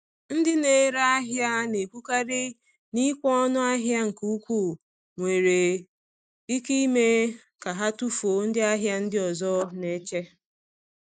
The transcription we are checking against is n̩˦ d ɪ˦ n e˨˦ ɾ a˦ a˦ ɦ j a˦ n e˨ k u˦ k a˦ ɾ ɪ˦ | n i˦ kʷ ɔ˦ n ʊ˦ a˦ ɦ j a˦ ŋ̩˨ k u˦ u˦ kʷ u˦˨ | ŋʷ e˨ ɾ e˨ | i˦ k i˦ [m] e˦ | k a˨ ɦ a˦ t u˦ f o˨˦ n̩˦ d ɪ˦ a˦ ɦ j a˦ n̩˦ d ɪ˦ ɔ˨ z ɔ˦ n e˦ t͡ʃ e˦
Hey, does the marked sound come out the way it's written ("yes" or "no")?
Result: yes